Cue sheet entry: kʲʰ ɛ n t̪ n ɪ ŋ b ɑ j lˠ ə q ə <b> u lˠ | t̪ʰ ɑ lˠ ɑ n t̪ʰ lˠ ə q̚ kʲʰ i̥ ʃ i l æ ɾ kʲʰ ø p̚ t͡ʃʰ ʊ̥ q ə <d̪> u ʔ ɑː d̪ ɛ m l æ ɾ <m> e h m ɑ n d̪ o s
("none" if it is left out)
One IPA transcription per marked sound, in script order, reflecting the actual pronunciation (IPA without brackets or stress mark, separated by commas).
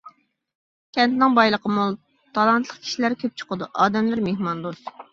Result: m, d̪, m